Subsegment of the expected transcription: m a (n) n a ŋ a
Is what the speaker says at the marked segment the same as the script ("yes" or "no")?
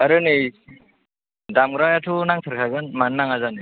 yes